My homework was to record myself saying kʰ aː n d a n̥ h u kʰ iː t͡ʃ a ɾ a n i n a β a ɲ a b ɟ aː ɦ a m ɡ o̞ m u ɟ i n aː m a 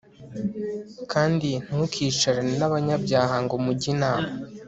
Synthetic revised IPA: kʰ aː n d i n̥ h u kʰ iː t͡ʃ a ɾ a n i n a β a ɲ a b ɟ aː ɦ a ŋ ɡ o̞ m u ɟ i n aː m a

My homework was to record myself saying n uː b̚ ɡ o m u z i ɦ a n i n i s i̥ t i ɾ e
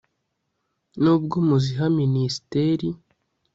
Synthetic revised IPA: n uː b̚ ɡ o m u z i ɦ a m i n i s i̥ t e ɾ i

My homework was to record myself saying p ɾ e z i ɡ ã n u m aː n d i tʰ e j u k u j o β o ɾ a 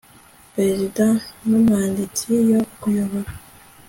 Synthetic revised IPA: p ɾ e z i d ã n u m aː n d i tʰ i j o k u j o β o ɾ a

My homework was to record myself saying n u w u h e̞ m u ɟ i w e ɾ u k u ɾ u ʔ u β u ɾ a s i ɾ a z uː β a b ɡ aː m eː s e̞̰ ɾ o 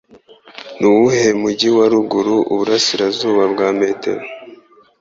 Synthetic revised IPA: n u w u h e̞ m u ɟ i w a ɾ u ɡ u ɾ u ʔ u β u ɾ a s i ɾ a z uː β a b ɡ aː m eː t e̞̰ ɾ o

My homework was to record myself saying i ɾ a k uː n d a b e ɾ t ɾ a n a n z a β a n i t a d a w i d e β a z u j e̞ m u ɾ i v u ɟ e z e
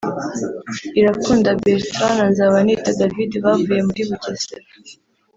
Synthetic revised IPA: i ɾ a k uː n d a b e ɾ t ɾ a n a n z a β a n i t a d a v i d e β a v u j e̞ m u ɾ i β u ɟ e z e

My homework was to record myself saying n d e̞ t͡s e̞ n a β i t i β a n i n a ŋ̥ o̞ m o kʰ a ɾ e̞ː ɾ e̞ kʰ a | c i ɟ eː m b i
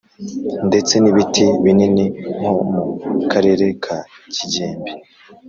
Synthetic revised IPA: n d e̞ t͡s e̞ n i β i t i β i n i n i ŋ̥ o̞ m u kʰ a ɾ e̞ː ɾ e̞ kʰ a | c i ɟ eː m b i

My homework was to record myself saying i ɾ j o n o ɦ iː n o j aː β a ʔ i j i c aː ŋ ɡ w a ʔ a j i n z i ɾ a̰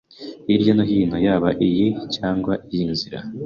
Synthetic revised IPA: i ɾ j o n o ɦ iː n o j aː β a ʔ i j i c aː ŋ ɡ w a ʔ i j i n z i ɾ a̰

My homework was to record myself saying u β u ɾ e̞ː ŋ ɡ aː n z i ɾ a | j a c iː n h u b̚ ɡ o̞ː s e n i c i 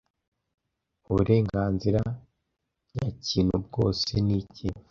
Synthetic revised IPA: u β u ɾ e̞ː ŋ ɡ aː n z i ɾ a | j a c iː n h u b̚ ɡ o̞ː s e n i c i

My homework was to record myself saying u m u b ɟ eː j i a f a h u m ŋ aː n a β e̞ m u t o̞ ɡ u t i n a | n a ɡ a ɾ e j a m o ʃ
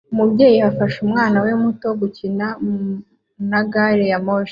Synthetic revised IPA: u m u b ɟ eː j i a f a ʃ u m ŋ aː n a w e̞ m u t o̞ ɡ u c i n a | n a ɡ a ɾ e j a m o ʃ

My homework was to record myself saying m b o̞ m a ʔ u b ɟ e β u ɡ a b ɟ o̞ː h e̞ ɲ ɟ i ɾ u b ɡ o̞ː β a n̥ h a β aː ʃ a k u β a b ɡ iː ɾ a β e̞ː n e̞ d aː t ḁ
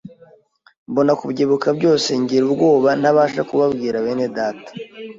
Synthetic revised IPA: m b o̞ n a k u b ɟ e β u k a b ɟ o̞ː s e̞ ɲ ɟ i ɾ u b ɡ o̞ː β a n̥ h a β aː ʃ a k u β a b ɡ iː ɾ a β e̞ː n e̞ d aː t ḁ

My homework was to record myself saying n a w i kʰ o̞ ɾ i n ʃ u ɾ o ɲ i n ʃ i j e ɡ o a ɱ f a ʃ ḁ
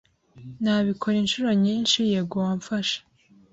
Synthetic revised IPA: n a β i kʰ o̞ ɾ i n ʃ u ɾ o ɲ i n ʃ i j e ɡ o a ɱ f a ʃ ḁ

